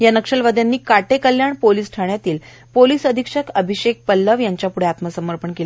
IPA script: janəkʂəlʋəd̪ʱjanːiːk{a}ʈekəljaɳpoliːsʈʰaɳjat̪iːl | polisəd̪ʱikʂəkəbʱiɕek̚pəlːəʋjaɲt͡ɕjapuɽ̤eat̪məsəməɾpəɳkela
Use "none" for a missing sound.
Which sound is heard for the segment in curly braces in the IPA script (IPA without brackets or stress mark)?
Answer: a